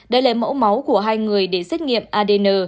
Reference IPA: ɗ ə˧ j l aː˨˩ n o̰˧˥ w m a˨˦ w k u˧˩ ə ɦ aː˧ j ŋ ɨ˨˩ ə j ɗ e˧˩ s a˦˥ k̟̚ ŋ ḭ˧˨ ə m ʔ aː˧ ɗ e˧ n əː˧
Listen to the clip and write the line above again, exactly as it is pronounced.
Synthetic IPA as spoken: ɗ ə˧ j l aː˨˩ m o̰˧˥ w m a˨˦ w k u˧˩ ə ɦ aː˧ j ŋ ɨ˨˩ ə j ɗ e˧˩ s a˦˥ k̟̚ ŋ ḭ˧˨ ə m ʔ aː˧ ɗ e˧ n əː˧